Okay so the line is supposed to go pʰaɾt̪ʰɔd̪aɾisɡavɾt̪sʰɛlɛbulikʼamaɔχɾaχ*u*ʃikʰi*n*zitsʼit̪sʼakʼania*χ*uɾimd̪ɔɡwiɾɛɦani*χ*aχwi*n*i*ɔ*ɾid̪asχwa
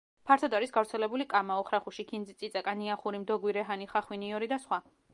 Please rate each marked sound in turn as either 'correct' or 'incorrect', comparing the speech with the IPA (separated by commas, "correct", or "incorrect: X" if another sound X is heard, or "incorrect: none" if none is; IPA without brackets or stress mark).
correct, correct, correct, correct, correct, correct